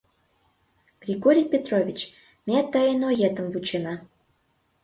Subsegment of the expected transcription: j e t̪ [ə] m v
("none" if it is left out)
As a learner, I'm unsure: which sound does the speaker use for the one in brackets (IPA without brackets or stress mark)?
ə